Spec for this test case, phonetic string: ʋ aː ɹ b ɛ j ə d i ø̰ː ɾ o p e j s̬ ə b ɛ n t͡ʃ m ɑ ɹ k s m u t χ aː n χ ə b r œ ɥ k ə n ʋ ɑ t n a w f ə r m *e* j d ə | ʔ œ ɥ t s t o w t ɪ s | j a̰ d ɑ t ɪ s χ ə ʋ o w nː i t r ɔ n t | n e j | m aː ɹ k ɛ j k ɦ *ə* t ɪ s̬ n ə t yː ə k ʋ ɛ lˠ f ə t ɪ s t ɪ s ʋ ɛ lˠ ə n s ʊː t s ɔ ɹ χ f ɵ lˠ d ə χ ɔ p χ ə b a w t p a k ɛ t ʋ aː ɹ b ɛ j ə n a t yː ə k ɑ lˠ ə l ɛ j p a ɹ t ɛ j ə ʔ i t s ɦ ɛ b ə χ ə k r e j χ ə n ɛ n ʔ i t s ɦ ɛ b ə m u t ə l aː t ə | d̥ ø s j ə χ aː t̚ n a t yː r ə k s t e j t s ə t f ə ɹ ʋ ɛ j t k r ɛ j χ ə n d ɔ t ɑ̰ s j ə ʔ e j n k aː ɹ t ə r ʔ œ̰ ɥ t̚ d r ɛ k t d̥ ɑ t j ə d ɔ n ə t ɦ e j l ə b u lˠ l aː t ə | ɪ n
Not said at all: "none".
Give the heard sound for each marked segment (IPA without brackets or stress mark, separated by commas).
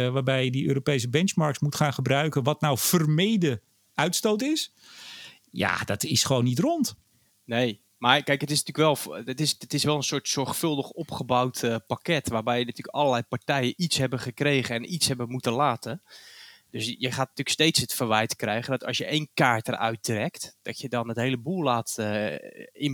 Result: e, ə